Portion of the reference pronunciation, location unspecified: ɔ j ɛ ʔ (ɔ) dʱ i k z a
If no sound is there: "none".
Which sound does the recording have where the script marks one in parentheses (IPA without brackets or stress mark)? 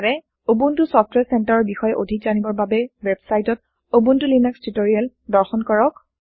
o